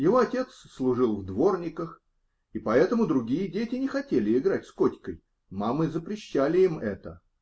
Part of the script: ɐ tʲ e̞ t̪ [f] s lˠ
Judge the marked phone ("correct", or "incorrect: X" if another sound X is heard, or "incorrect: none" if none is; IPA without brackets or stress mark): incorrect: s